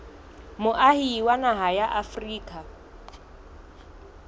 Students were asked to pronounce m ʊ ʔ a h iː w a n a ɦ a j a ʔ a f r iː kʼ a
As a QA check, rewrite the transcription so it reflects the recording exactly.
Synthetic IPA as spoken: m ʊ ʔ a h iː w a n a ɦ a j a ʔ a f r iː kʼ a